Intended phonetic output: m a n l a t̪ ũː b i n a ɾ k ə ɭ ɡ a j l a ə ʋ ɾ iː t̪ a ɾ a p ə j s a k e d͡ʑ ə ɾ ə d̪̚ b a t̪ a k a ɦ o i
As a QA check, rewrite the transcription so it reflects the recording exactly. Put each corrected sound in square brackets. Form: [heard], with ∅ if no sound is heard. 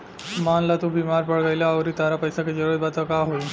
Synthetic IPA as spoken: m a n l a t̪ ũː b i [m] a ɾ [p] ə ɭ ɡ a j l a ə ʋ ɾ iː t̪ a ɾ a p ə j s a k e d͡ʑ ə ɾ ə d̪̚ b a t̪ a k a ɦ o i